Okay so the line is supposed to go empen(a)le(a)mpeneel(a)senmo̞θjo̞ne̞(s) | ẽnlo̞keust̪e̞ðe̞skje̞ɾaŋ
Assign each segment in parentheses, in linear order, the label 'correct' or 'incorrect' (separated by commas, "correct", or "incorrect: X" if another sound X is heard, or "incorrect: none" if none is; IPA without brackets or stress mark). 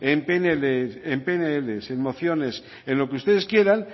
incorrect: e, incorrect: e, incorrect: e, correct